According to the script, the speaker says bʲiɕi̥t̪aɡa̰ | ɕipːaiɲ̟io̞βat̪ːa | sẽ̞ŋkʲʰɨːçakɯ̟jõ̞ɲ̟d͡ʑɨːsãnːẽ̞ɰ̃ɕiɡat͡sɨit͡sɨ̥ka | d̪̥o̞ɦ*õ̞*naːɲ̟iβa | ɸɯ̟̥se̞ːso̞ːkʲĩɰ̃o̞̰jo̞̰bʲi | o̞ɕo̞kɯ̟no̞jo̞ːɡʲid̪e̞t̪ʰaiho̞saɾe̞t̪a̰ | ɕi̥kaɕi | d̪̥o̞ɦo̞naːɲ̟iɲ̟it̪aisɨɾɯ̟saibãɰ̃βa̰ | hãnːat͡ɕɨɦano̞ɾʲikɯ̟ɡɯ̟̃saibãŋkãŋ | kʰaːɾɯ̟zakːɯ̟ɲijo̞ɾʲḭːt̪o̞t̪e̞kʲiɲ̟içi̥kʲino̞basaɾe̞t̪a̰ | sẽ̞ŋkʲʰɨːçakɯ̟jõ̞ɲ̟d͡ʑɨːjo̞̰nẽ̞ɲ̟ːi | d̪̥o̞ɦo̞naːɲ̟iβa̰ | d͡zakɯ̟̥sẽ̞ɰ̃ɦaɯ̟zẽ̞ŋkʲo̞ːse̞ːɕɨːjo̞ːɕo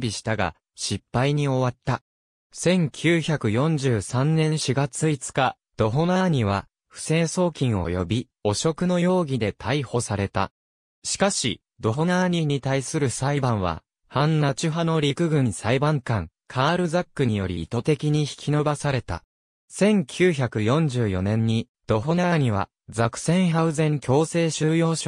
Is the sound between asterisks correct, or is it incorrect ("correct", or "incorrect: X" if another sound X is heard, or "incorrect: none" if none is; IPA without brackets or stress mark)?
incorrect: o̞